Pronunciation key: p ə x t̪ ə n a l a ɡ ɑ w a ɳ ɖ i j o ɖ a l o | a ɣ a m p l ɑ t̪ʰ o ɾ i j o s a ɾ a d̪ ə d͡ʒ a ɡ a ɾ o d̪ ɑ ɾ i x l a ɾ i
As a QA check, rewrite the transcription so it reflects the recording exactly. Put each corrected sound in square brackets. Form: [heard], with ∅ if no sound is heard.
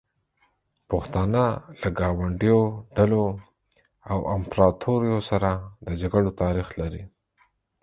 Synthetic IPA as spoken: p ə x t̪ [ɑ] n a l a ɡ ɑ w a ɳ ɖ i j o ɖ a l o | a [w] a m p [ɾ] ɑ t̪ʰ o ɾ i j o s a ɾ a d̪ ə d͡ʒ a ɡ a [ɽ] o [t̪] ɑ ɾ i x l a ɾ i